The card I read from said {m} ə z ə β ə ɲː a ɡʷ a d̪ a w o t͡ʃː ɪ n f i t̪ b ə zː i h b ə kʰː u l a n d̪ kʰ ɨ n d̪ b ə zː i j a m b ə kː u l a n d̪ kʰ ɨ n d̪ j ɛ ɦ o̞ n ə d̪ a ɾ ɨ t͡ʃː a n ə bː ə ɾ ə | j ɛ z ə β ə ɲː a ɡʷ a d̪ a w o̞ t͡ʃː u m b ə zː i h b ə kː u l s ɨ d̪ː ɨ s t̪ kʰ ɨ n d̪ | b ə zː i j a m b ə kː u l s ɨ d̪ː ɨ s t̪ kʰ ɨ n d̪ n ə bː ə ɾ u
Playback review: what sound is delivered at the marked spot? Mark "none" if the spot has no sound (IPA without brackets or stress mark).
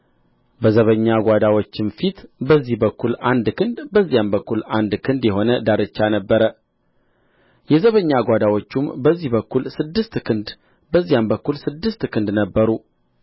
b